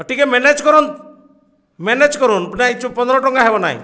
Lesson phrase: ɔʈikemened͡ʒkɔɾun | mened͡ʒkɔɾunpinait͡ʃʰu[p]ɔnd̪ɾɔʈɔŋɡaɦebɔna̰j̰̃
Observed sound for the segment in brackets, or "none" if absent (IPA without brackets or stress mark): p